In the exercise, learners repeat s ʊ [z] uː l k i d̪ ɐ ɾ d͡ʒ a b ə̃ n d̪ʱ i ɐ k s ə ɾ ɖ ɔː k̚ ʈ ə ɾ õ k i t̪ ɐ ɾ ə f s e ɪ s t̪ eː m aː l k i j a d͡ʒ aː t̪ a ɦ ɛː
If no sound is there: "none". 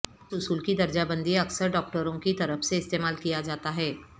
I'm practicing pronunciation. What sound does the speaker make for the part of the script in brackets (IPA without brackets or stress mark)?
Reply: s